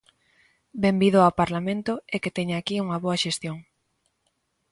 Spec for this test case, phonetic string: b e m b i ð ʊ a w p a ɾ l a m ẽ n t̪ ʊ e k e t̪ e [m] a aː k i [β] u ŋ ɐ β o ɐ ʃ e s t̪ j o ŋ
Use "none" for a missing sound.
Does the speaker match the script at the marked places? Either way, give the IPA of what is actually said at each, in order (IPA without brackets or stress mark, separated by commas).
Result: ɲ, none